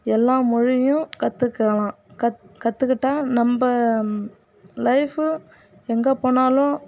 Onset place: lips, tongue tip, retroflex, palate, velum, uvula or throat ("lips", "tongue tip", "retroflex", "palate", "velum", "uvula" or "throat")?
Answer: tongue tip